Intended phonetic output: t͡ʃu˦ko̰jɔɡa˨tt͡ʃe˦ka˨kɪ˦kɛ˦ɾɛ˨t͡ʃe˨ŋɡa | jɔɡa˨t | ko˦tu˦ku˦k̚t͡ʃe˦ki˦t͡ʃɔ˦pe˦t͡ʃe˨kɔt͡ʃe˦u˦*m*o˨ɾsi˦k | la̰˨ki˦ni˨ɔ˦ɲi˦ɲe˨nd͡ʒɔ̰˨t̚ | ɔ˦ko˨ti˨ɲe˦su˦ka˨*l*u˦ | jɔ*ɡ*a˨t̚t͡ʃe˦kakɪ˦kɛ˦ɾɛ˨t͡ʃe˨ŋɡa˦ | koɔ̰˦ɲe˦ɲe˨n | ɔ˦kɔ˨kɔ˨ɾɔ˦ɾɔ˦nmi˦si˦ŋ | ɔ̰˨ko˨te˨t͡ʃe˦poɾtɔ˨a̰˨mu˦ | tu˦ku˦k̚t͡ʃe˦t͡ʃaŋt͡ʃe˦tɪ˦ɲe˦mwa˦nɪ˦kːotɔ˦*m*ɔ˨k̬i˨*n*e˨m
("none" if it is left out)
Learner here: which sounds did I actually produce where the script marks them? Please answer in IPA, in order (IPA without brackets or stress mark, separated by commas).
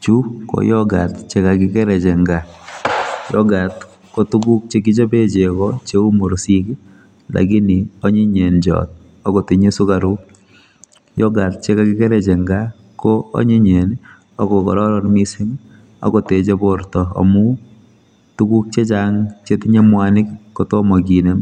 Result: m, ɾ, ɡ, m, n